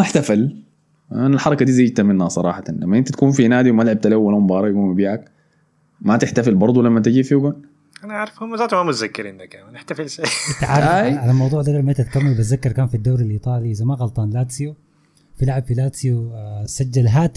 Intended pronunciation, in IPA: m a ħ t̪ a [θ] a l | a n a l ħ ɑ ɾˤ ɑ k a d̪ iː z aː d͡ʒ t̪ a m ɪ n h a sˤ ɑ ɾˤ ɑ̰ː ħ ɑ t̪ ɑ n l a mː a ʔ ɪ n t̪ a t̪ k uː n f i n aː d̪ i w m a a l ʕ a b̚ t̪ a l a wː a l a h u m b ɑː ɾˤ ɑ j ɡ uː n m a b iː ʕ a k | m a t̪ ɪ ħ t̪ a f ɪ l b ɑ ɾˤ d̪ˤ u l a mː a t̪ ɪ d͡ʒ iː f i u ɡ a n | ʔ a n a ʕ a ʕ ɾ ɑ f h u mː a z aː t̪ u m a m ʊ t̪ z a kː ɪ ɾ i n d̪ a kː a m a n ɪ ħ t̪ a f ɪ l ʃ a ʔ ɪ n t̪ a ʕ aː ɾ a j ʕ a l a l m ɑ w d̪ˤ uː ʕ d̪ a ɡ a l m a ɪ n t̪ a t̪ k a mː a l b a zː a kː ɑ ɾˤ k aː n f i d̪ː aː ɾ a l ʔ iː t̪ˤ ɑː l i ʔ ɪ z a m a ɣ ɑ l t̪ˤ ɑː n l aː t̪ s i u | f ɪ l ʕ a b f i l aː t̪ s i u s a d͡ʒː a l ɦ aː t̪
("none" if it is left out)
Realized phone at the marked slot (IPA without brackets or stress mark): f